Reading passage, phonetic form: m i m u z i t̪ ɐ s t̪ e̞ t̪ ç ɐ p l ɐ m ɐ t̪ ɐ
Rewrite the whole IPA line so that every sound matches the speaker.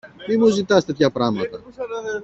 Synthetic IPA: m i m u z i t̪ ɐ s t̪ e̞ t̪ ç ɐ p ɾ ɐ m ɐ t̪ ɐ